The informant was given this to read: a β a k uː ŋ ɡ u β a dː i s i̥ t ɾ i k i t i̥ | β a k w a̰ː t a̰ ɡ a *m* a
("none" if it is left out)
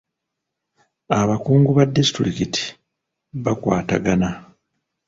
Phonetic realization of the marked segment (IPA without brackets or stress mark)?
n